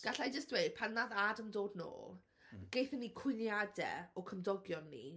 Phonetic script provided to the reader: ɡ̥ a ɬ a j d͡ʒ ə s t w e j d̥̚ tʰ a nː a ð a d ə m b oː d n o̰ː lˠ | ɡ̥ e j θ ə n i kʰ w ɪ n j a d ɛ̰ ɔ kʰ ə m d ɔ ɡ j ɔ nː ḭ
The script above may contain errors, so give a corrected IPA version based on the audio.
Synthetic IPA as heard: ɡ̥ a ɬ a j d͡ʒ ə s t w e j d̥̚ pʰ a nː a ð a d ə m d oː d n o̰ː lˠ | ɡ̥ e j θ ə n i kʰ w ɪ n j a d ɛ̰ ɔ kʰ ə m d ɔ ɡ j ɔ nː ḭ